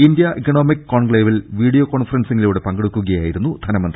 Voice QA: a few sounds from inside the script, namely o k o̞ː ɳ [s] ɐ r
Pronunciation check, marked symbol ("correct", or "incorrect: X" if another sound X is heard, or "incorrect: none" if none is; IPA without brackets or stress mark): incorrect: f